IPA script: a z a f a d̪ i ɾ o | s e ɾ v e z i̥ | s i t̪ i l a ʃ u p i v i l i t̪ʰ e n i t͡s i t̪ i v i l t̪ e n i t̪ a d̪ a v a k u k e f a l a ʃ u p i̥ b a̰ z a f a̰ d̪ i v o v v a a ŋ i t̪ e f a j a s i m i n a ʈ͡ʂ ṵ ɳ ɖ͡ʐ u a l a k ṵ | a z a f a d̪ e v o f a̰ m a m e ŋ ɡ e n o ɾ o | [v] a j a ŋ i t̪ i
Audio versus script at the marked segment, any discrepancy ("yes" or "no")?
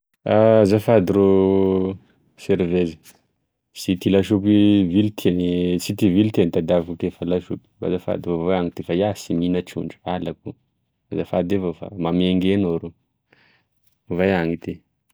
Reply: no